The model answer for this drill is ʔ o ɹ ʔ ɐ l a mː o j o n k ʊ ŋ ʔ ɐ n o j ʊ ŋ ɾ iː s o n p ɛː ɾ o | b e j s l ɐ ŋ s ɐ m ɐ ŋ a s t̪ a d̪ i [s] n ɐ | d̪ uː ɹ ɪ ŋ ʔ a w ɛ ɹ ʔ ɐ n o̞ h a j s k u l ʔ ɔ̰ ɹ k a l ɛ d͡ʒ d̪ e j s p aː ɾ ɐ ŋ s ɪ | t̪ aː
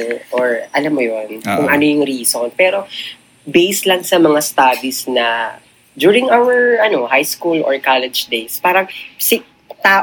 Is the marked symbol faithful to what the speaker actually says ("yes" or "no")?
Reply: yes